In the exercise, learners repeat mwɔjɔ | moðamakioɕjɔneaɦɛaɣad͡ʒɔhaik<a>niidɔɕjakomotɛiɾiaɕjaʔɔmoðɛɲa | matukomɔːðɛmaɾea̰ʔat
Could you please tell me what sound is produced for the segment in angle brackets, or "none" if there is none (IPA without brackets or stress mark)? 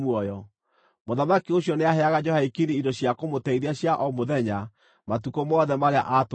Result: i